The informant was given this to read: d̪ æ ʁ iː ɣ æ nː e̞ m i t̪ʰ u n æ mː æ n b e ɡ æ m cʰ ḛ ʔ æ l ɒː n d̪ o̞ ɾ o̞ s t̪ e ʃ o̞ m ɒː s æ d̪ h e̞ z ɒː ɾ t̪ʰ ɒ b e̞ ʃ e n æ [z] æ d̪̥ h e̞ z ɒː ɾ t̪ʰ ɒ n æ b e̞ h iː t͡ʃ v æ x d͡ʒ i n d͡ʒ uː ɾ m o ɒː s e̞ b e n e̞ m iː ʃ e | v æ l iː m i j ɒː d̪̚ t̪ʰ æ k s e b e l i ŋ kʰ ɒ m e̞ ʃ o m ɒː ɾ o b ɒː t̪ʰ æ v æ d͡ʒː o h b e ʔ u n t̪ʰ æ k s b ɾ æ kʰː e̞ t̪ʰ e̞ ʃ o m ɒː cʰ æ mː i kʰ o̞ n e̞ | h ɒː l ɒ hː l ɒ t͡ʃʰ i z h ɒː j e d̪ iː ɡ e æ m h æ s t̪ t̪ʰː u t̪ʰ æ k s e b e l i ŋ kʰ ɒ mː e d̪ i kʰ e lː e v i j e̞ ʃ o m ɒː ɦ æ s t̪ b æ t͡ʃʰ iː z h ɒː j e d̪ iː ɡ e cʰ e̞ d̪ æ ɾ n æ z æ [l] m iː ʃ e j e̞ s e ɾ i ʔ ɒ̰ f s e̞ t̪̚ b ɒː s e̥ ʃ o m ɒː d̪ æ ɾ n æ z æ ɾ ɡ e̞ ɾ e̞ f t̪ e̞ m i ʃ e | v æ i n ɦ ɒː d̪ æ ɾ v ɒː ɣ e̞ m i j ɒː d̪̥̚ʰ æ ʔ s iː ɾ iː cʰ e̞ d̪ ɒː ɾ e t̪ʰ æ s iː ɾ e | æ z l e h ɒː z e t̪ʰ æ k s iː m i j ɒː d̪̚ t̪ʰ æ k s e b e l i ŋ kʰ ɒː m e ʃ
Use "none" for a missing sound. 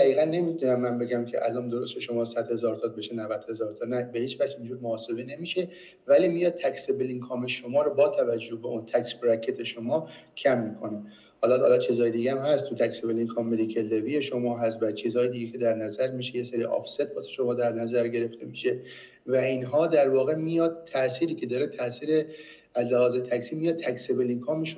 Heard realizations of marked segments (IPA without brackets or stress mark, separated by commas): v, ɾ